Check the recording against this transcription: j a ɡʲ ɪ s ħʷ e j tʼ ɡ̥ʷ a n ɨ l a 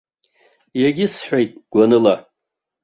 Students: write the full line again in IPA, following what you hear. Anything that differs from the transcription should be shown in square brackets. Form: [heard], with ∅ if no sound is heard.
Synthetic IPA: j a ɡʲ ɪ s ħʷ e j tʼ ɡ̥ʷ a n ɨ l a